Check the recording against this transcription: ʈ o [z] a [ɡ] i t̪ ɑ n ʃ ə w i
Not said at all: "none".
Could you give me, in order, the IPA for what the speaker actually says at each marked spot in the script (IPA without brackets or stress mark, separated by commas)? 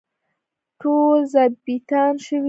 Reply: z, b